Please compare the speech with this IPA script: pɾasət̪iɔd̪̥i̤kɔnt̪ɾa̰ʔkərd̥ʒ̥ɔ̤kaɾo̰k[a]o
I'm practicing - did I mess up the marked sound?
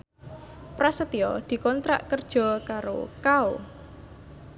no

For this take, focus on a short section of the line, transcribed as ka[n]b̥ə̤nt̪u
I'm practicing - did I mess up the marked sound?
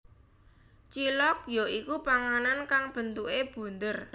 yes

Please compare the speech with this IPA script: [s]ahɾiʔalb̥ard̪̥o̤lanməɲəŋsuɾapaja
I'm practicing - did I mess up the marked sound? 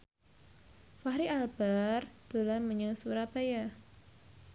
yes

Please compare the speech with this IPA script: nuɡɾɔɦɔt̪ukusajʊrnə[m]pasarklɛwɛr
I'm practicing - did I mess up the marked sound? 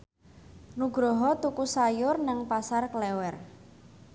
yes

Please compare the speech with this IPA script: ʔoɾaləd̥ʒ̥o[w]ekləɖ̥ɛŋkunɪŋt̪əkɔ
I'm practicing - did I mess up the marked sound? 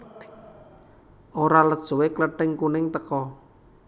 no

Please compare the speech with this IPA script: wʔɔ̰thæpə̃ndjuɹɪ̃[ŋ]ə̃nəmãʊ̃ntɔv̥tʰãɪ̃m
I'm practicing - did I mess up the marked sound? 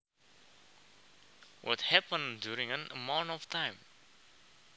no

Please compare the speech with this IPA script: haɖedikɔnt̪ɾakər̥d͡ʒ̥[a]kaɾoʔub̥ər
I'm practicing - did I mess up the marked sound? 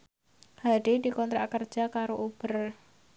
no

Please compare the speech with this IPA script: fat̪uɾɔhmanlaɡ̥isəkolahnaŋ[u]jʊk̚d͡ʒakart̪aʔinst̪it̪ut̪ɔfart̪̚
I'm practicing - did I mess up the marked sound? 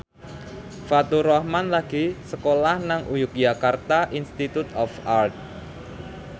no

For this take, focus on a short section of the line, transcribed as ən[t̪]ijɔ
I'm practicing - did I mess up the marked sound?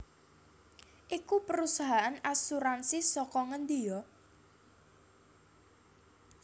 yes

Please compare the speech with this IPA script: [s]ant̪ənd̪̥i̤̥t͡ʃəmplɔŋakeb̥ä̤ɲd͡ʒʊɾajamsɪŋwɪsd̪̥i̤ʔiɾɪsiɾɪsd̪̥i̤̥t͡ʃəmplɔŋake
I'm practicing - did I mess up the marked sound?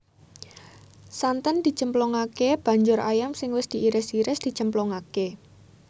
no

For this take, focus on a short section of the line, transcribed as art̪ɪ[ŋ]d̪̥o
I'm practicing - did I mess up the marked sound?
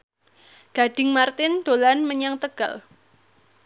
yes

